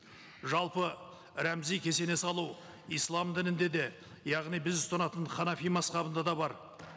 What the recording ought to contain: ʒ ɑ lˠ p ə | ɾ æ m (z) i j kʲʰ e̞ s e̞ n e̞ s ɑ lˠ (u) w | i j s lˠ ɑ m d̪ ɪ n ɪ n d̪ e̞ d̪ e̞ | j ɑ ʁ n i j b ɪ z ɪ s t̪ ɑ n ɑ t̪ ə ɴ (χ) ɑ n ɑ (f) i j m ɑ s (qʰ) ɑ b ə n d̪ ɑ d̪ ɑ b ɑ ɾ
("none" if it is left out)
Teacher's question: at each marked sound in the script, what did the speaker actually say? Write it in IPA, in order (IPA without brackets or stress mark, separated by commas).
z, u, χ, f, q